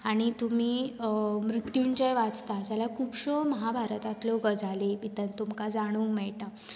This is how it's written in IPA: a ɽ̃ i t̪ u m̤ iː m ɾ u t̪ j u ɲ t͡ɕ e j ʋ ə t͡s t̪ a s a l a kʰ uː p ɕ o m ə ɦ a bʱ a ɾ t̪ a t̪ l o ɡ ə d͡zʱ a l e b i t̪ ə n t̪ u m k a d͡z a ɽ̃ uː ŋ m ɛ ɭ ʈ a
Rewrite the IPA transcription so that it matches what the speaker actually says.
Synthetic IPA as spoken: a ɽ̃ i t̪ u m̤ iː m ɾ u t̪ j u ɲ t͡ɕ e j ʋ a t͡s t̪ a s a l a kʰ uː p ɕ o m ə ɦ a bʱ a ɾ t̪ a t̪ l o ɡ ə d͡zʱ a l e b i t̪ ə n t̪ u m k a d͡z a ɽ̃ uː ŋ m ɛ ɭ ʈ a